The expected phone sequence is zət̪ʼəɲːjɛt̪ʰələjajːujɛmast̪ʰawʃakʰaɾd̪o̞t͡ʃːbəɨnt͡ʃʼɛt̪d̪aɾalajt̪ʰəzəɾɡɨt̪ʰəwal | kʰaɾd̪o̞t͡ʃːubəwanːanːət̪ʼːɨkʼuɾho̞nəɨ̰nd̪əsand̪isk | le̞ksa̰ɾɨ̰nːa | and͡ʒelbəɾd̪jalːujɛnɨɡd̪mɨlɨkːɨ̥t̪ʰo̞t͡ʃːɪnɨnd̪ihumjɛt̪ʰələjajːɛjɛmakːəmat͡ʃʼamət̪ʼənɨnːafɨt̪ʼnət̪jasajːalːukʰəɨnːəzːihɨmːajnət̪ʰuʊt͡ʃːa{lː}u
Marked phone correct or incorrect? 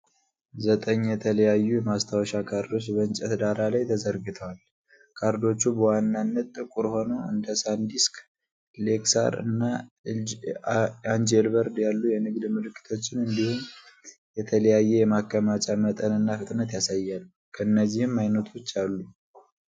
correct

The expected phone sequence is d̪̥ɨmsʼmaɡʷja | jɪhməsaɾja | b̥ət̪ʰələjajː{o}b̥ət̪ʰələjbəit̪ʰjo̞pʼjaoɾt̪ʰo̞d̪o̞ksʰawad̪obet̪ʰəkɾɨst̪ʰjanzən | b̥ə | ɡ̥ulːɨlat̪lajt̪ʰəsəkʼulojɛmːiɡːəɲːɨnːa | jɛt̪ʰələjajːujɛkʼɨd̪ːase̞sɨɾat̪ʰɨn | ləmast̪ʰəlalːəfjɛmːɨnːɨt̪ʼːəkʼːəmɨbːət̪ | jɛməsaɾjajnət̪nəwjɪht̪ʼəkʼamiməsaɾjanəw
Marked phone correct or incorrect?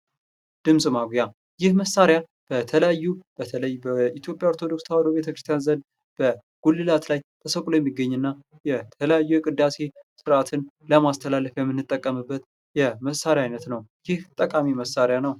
incorrect: u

